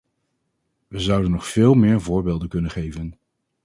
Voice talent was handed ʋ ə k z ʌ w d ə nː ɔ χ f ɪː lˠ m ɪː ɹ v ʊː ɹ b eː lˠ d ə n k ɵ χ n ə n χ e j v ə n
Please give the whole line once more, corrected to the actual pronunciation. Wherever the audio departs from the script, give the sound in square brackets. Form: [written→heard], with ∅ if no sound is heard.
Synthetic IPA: ʋ ə [k→∅] z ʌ w d ə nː ɔ χ f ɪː lˠ m ɪː ɹ v ʊː ɹ b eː lˠ d ə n k ɵ [χ→∅] n ə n χ e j v ə n